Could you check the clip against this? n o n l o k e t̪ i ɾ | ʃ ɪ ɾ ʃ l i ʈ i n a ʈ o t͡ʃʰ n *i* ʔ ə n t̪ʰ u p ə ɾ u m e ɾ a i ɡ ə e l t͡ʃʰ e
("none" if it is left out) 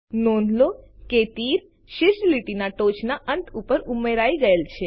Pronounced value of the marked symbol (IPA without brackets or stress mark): a